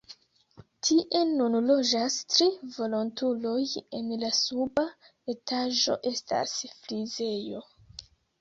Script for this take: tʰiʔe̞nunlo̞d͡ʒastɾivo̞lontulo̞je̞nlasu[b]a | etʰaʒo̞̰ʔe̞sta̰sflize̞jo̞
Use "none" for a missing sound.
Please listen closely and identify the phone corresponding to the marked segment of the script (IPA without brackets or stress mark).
b